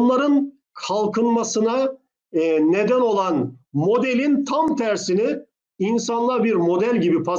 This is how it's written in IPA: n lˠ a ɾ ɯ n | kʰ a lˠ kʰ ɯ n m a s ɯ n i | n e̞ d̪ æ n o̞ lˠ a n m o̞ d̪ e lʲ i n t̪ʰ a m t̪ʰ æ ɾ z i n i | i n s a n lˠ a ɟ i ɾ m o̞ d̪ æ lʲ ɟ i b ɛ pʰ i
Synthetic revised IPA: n lˠ a ɾ ɯ n | kʰ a lˠ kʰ ɯ n m a s ɯ n a | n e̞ d̪ æ n o̞ lˠ a n m o̞ d̪ e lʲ i n t̪ʰ a m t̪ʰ æ ɾ s i n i | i n s a n lˠ a b i ɾ m o̞ d̪ æ lʲ ɟ i b i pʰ a

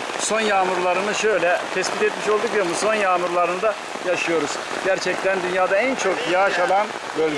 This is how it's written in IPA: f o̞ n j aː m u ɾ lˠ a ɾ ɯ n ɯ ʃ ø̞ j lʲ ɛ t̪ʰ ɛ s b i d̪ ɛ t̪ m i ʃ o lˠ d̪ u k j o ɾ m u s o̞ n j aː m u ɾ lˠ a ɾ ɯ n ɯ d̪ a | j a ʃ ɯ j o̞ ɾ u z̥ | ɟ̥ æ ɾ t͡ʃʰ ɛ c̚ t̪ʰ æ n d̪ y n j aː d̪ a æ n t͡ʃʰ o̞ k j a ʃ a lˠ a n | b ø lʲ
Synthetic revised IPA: s o̞ n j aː m u ɾ lˠ a ɾ ɯ n ɯ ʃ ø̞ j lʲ ɛ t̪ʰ ɛ s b i t̪ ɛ t̪ m i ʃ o lˠ d̪ u k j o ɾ m u s o̞ n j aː m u ɾ lˠ a ɾ ɯ n ɯ d̪ a | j a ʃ ɯ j o̞ ɾ u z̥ | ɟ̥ æ ɾ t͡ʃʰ ɛ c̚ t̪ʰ æ n d̪ y n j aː d̪ a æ n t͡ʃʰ o̞ k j a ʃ a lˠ a n | b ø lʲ

